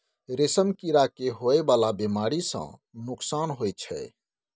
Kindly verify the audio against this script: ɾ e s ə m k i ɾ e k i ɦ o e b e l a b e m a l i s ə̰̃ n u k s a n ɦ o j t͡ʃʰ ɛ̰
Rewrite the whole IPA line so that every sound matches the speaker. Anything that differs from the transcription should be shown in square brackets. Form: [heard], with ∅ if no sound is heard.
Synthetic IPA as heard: ɾ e s ə m k i ɾ [a] k [e] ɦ o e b [a] l a b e m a [ɾ] i s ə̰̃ n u k s a n ɦ o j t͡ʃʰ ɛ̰